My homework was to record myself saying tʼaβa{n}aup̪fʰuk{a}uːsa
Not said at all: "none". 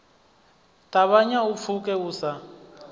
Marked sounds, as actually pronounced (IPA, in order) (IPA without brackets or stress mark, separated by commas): ɲ, ɛ